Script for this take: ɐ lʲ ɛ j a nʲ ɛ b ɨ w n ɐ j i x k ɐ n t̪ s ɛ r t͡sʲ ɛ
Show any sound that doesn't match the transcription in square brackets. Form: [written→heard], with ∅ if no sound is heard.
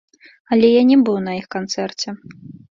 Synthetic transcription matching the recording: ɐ lʲ ɛ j a nʲ ɛ b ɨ w n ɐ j i x k [ɐ→a] n t̪ s ɛ r t͡sʲ ɛ